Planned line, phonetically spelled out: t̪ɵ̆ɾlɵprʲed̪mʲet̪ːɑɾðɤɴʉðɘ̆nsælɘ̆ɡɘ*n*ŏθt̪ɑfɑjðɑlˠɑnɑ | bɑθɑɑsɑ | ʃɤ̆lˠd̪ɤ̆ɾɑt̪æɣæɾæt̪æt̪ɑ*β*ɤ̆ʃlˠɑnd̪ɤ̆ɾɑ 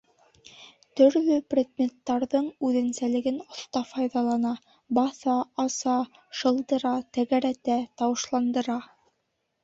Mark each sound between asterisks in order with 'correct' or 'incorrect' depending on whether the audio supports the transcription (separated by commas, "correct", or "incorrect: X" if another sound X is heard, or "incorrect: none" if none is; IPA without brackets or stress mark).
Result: correct, incorrect: w